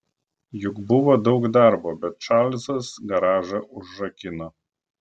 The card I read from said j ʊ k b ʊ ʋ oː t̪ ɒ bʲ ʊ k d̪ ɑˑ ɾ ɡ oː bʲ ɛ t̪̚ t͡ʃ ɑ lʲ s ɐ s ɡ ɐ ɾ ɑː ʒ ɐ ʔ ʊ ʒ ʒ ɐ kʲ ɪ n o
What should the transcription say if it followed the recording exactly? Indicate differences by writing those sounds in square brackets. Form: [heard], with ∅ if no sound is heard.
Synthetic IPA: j ʊ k b ʊ ʋ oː [d̪] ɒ [∅] ʊ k d̪ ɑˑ ɾ [b] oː bʲ ɛ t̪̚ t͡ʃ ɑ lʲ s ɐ s ɡ ɐ ɾ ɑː ʒ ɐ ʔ ʊ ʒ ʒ ɐ kʲ ɪ n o